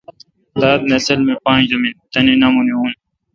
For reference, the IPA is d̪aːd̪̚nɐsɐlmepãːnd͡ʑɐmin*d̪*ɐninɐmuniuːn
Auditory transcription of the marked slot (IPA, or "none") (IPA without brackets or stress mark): t̪